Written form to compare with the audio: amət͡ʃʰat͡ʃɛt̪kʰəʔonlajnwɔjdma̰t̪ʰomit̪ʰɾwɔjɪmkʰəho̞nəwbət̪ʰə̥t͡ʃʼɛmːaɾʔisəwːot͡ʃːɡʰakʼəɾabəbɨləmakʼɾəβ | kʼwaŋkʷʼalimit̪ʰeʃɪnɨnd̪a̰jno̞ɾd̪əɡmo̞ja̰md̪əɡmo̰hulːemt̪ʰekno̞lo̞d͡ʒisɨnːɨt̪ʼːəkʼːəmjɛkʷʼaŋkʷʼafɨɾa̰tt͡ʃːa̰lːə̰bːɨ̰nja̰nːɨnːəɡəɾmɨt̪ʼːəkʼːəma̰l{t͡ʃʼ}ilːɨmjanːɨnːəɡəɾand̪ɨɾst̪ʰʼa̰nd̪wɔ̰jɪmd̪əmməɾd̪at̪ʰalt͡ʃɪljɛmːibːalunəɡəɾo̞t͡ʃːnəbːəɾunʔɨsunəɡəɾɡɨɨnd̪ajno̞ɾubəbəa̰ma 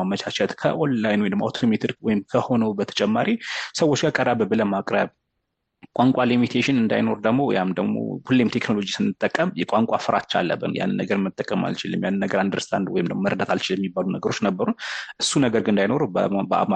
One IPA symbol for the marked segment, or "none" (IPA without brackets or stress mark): t͡ʃ